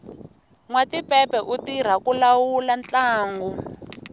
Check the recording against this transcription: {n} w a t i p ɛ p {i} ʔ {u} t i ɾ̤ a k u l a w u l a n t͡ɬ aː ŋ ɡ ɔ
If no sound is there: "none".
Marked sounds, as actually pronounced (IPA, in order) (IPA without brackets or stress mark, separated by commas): ŋ, ɛ, u